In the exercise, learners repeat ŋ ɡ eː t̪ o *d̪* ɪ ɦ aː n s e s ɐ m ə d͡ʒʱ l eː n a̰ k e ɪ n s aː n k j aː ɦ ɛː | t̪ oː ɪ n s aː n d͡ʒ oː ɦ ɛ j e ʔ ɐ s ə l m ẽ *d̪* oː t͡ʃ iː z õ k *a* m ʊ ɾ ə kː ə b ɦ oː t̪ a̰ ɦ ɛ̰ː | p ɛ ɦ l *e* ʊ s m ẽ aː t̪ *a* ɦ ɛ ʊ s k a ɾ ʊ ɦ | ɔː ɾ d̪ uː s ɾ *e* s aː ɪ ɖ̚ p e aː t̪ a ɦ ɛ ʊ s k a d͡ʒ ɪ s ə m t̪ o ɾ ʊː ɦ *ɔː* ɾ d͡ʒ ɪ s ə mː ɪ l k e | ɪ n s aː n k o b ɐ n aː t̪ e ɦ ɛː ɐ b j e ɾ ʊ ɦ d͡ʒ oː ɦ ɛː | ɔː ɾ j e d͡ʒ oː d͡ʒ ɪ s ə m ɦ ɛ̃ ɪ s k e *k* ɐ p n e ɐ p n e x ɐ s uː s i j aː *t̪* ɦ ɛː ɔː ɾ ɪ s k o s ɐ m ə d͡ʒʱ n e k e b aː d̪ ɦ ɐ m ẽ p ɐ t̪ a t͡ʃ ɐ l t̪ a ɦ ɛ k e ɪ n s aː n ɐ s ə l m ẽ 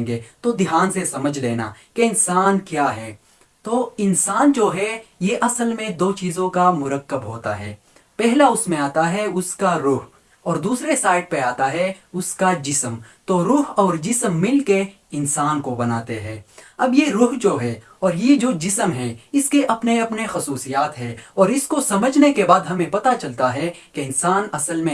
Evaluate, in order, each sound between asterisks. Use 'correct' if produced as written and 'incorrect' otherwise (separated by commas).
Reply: correct, correct, correct, incorrect, correct, correct, correct, incorrect, correct